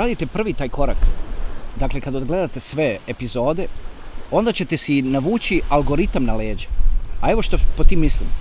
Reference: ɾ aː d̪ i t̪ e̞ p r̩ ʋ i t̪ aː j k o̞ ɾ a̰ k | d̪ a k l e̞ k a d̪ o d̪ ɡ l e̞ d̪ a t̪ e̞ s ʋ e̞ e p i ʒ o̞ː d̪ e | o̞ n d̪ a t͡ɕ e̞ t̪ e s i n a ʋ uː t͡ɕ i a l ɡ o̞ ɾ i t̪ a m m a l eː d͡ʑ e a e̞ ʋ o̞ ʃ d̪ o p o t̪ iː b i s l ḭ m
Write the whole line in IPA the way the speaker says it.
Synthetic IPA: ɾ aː d̪ i t̪ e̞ p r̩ ʋ i t̪ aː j k o̞ ɾ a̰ k | d̪ a k l e̞ k a d̪ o d̪ ɡ l e̞ d̪ a t̪ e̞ s ʋ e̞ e p i z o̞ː d̪ e | o̞ n d̪ a t͡ɕ e̞ t̪ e s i n a ʋ uː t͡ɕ i a l ɡ o̞ ɾ i t̪ a m n a l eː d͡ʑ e a e̞ ʋ o̞ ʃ t̪ o p o t̪ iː m i s l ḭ m